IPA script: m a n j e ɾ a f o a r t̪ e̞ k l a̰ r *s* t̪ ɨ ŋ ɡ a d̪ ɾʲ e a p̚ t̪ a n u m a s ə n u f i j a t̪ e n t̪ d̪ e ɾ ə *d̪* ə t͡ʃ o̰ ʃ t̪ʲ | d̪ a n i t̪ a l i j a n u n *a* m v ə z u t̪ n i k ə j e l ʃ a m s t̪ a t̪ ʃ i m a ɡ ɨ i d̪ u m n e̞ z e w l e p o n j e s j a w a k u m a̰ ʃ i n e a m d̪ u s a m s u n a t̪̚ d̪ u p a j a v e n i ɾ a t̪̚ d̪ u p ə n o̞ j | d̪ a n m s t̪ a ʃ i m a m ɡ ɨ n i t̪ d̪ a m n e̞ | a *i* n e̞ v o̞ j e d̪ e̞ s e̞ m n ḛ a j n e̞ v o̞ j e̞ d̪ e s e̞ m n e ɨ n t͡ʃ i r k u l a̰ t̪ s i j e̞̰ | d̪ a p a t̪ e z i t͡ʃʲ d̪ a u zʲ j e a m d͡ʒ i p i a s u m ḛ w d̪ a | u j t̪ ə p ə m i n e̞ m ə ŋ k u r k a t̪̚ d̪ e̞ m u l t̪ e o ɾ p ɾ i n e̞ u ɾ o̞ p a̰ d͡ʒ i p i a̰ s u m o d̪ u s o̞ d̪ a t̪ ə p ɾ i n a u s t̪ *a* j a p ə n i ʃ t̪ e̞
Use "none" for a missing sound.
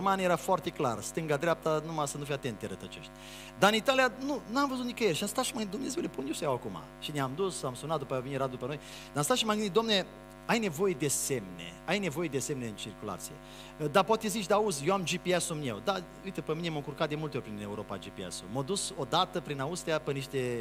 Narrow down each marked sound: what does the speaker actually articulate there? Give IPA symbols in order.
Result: s, t̪, a, j, i

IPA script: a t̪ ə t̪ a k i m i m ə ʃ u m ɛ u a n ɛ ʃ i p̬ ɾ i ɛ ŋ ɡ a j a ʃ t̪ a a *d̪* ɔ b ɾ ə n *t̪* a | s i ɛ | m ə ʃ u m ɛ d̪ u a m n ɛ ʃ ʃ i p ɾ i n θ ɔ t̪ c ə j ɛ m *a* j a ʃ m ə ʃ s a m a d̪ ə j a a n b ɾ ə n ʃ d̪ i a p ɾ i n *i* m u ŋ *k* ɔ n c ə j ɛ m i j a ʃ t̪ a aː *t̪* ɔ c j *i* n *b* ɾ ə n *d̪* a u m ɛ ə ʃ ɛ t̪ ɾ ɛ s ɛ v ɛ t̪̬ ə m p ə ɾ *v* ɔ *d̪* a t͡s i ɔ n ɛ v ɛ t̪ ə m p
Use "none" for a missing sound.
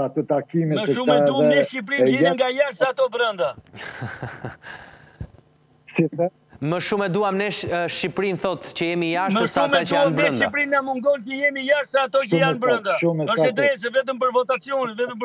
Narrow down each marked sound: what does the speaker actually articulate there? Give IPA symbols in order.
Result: t̪, d̪, i, a, ɡ, t̪, a, b, d̪, v, t̪

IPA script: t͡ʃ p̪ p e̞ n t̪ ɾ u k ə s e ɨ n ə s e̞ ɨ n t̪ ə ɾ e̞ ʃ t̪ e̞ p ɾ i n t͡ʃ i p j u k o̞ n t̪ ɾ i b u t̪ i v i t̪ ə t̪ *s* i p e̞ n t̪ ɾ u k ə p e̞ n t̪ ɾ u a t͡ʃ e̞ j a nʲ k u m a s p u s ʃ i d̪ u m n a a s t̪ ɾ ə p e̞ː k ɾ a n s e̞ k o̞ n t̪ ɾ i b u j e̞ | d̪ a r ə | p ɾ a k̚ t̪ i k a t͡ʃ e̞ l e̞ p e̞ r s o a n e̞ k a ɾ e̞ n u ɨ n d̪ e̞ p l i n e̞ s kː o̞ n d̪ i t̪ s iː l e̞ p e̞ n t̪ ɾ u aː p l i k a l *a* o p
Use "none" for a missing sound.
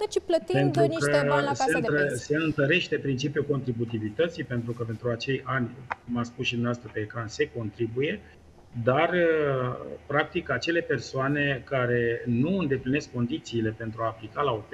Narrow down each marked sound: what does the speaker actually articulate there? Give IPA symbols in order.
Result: s, a

